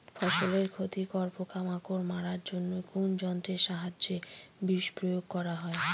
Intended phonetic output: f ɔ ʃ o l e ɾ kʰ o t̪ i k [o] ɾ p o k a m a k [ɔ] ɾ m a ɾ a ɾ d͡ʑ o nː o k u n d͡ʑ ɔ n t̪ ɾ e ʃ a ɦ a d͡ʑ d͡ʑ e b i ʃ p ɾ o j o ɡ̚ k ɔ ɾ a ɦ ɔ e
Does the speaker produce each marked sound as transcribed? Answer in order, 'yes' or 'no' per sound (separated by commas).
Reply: no, no